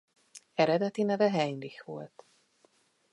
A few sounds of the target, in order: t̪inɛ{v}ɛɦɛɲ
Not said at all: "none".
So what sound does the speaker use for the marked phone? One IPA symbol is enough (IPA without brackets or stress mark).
v